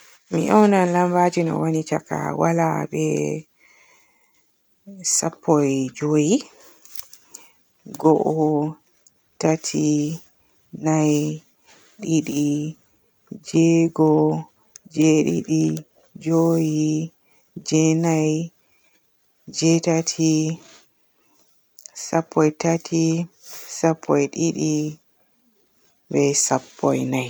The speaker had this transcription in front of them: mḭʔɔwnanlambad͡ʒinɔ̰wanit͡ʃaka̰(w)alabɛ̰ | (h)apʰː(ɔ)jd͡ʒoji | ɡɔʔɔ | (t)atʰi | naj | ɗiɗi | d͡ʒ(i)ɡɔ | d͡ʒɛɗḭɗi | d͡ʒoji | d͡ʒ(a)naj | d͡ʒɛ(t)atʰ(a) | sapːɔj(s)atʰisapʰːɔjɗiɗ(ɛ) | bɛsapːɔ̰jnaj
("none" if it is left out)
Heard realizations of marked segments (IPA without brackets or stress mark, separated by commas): w, s, ɔ, t, ɛ, ɛ, t, i, t, i